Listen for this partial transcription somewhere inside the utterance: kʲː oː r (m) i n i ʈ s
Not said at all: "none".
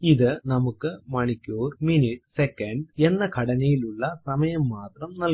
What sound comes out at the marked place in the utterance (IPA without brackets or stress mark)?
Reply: m